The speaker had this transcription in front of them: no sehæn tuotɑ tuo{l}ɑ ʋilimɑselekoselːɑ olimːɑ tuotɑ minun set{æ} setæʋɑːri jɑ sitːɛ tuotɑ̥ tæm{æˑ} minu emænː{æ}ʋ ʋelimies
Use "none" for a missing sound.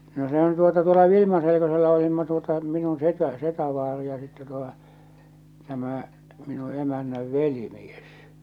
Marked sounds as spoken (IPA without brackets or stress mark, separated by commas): l, æ, æˑ, æ